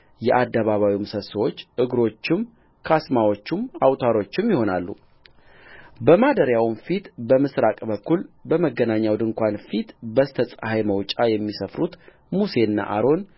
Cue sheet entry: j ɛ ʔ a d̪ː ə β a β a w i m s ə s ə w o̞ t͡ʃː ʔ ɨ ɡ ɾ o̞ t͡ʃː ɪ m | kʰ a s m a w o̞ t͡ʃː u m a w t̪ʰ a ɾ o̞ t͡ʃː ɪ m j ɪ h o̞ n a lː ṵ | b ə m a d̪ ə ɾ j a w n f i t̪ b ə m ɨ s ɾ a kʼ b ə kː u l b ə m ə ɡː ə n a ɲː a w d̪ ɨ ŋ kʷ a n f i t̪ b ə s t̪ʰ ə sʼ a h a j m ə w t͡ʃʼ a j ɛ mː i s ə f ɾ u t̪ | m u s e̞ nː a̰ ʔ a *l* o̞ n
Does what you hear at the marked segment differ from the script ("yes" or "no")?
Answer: yes